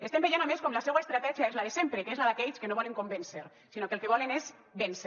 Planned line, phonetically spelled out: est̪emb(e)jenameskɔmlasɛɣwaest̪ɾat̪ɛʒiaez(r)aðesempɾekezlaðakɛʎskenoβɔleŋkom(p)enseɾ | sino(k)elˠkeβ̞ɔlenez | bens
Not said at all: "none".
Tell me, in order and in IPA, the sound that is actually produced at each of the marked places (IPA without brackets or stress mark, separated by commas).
e, l, b, k